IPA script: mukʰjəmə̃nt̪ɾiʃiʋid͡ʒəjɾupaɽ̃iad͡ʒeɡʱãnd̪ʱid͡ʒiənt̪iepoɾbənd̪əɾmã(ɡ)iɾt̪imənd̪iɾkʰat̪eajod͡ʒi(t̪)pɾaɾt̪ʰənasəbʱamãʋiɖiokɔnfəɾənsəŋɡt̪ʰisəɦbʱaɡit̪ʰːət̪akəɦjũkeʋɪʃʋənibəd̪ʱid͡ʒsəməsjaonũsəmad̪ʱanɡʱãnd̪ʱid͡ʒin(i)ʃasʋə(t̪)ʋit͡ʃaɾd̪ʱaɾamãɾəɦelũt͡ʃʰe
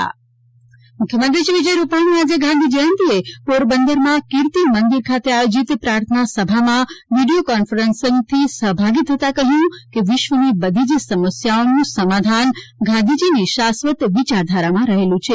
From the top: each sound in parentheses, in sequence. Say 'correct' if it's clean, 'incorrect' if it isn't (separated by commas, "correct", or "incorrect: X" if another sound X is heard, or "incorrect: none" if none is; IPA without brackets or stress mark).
incorrect: k, correct, correct, correct